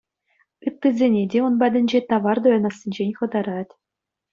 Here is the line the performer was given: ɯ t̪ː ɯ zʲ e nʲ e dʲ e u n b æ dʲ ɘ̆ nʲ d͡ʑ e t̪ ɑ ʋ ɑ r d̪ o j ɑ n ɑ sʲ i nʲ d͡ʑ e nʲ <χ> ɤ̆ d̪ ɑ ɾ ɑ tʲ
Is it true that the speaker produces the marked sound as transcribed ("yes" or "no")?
yes